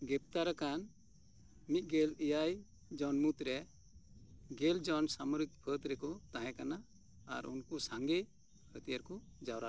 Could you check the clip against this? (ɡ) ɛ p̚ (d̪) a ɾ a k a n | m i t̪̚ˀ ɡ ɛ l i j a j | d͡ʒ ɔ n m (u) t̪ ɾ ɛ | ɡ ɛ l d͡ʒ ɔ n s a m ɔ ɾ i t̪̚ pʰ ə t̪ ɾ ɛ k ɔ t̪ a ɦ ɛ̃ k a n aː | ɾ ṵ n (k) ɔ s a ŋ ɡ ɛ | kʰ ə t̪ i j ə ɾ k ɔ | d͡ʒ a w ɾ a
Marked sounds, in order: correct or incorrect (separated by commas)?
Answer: correct, incorrect, correct, correct